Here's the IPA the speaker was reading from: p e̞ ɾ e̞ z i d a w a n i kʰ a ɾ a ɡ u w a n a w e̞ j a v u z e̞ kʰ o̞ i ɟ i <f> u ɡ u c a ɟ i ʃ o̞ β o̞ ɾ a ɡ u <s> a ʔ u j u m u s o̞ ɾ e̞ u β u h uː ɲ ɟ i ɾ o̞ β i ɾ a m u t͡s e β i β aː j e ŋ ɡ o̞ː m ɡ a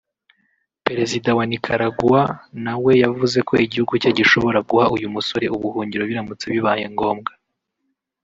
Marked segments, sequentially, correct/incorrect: incorrect, incorrect

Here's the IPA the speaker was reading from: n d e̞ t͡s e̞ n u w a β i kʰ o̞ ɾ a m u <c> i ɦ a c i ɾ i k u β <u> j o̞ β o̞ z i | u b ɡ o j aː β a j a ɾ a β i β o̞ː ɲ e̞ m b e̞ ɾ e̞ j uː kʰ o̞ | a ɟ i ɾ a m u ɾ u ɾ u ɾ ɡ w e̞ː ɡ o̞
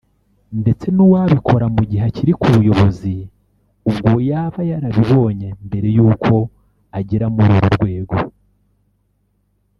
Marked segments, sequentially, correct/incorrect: incorrect, correct

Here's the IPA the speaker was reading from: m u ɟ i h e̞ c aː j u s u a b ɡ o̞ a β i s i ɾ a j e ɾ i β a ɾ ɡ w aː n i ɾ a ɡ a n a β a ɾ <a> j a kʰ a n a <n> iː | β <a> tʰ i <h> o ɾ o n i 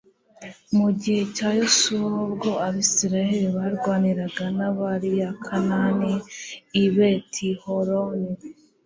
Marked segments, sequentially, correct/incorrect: incorrect, correct, incorrect, correct

